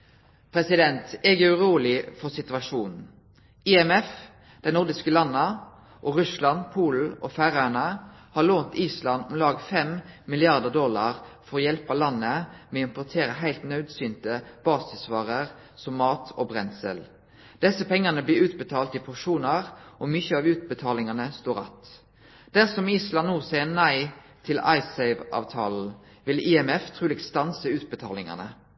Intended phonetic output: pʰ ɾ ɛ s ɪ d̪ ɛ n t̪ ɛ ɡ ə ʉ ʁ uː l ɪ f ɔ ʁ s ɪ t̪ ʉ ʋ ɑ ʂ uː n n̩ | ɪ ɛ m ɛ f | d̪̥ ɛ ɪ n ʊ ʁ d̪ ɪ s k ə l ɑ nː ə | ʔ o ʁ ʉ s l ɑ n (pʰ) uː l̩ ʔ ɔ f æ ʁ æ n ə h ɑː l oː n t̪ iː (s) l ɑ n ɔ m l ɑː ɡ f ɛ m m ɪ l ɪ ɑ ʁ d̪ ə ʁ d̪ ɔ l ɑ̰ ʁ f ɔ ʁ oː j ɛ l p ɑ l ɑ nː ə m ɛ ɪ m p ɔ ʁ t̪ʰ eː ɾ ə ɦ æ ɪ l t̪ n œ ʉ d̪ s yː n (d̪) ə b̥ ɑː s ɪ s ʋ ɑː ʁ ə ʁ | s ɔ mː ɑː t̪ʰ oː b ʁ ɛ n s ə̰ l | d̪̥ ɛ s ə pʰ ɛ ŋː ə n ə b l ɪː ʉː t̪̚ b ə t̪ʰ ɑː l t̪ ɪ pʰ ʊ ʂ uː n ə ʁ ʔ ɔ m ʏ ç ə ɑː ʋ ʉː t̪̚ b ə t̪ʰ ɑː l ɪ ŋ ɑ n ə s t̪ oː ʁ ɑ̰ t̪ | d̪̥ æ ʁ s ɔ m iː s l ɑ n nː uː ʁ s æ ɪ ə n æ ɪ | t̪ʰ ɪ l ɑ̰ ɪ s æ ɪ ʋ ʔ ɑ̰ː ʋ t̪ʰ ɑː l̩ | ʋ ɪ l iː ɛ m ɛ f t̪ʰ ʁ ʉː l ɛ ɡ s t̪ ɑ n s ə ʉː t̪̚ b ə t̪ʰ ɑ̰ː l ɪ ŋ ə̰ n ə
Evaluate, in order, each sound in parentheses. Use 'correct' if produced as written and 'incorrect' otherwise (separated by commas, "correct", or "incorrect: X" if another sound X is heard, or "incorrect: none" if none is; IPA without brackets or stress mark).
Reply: correct, correct, incorrect: t̪